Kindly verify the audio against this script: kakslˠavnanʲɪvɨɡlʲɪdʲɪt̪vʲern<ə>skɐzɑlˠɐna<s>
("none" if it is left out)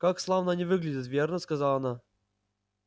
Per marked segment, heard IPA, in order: ə, none

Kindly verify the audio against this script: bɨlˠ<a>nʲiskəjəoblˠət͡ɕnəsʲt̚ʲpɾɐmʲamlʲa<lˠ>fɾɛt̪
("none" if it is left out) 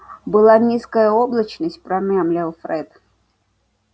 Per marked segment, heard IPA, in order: a, lˠ

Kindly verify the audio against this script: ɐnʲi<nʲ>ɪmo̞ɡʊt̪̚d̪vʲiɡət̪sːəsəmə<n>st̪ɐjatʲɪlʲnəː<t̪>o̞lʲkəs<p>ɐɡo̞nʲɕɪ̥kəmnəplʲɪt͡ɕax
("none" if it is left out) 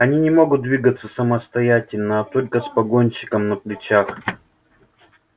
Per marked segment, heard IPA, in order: nʲ, none, t̪, p

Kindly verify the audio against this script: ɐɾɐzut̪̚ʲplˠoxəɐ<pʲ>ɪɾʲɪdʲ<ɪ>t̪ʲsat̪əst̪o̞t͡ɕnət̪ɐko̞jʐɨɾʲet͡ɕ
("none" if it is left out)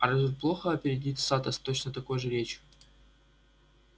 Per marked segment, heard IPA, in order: pʲ, i

